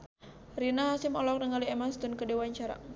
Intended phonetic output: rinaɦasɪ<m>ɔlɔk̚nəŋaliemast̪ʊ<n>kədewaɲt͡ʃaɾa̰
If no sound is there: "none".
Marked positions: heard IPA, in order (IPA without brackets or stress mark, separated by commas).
m, n